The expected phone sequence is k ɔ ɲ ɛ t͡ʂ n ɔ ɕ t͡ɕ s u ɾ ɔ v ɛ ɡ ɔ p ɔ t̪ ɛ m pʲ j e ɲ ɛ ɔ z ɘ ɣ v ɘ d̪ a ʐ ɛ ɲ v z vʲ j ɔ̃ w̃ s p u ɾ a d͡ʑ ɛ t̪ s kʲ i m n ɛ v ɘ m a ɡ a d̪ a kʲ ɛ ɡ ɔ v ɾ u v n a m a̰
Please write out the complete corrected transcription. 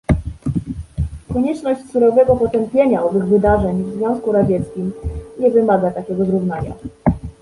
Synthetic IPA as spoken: k ɔ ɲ ɛ t͡ʂ n ɔ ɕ t͡ɕ s u ɾ ɔ v ɛ ɡ ɔ p ɔ t̪ ɛ m pʲ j e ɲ a ɔ v ɘ ɣ v ɘ d̪ a ʐ ɛ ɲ v z vʲ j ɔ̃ w̃ s k u ɾ a d͡ʑ ɛ t̪ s kʲ i m ɲ ɛ v ɘ m a ɡ a t̪ a kʲ ɛ ɡ ɔ z ɾ u v n a ɲ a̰